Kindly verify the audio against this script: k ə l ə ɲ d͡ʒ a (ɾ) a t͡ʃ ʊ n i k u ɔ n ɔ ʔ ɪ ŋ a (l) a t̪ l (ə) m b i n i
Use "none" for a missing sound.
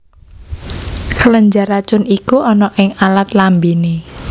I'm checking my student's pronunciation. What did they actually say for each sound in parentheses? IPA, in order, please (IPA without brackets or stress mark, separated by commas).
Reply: ɾ, l, a